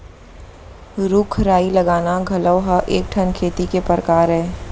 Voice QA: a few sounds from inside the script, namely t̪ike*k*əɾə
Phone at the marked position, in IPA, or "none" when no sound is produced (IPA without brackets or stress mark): p